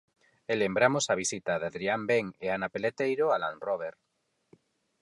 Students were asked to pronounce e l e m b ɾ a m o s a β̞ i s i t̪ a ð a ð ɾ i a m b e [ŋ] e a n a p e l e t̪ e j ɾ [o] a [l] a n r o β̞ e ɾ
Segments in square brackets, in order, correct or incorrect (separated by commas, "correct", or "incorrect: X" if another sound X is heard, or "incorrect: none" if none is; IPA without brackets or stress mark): correct, correct, correct